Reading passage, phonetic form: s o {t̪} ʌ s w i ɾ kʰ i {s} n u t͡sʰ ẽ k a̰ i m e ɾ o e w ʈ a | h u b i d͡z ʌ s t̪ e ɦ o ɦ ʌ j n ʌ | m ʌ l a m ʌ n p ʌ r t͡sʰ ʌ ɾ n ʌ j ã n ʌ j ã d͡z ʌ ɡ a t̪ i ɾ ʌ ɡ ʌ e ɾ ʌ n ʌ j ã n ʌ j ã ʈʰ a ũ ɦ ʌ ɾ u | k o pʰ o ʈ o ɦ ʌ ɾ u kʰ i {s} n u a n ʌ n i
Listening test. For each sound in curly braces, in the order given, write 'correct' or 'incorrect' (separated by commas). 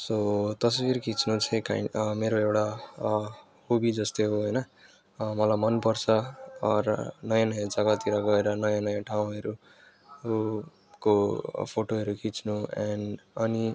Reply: correct, incorrect, incorrect